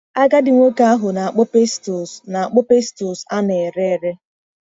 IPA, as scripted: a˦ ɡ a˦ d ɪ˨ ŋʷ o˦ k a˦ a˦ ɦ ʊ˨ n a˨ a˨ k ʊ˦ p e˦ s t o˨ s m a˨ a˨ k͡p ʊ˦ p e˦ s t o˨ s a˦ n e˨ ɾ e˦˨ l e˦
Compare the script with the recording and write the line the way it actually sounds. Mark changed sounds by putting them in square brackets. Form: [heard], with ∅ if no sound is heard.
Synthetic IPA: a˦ ɡ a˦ d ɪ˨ ŋʷ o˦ k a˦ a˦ ɦ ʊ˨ n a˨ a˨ [k͡p] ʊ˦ p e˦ s t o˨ s [n] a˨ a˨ k͡p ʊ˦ p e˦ s t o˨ s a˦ n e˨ ɾ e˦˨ [ɾ] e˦